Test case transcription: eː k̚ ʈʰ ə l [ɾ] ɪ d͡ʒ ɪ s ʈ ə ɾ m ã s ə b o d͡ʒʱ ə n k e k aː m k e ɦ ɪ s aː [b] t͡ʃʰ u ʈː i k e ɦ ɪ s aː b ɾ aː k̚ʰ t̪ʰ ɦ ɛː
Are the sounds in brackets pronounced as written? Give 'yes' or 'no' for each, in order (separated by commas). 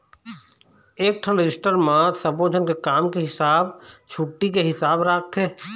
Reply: yes, yes